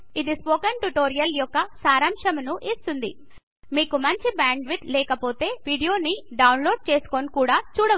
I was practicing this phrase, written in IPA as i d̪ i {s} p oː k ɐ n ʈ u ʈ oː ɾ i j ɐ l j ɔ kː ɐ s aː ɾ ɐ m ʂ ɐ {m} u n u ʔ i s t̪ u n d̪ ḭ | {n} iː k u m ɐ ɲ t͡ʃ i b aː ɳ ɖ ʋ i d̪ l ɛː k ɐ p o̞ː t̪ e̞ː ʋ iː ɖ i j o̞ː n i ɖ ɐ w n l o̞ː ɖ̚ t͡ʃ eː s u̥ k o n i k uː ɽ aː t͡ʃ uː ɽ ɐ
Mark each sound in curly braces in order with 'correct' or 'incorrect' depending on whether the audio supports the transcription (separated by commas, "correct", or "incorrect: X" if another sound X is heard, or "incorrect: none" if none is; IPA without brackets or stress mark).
correct, correct, incorrect: m